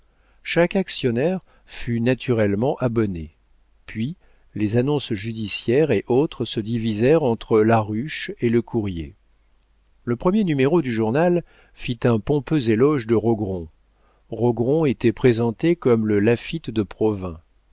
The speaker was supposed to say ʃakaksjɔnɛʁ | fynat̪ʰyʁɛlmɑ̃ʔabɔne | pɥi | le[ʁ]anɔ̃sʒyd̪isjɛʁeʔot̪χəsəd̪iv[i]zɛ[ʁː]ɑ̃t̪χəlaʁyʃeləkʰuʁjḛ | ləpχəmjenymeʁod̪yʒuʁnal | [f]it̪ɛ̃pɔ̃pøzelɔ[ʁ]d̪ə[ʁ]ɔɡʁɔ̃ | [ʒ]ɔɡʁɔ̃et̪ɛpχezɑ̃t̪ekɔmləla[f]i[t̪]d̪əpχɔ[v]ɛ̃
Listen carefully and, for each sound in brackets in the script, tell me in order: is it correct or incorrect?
incorrect: z, correct, incorrect: ʁ, correct, incorrect: ʒ, correct, incorrect: ʁ, correct, correct, correct

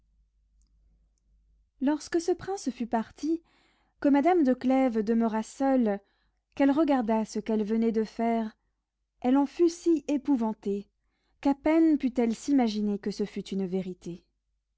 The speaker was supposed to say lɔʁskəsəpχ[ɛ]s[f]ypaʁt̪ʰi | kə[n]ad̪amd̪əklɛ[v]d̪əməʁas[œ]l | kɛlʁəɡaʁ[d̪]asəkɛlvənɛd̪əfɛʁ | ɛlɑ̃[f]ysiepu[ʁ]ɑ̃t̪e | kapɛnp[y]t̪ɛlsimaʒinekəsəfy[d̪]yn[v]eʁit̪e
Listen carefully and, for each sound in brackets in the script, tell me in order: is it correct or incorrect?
incorrect: ɛ̃, correct, incorrect: m, correct, correct, correct, correct, incorrect: v, correct, incorrect: t̪, correct

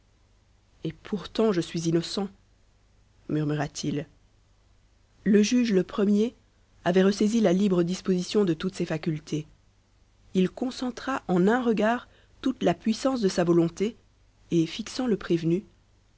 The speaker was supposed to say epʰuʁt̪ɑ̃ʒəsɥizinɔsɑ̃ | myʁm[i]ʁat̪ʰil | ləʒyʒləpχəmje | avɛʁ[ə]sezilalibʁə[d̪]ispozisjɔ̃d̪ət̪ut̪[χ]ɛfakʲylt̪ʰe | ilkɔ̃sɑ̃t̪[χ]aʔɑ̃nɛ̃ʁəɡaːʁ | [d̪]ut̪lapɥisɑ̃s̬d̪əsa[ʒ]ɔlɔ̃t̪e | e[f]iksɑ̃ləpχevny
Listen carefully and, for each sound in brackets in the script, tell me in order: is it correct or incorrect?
incorrect: y, correct, correct, incorrect: s, correct, incorrect: t̪, incorrect: v, correct

